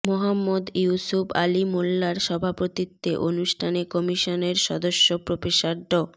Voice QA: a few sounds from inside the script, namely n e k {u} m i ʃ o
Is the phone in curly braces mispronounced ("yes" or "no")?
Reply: yes